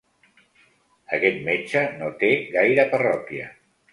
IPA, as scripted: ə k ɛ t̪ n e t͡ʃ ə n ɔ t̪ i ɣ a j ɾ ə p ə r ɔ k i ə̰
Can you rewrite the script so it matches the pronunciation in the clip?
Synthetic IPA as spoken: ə k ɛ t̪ m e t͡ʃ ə n o t̪ e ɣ a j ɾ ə p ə r ɔ k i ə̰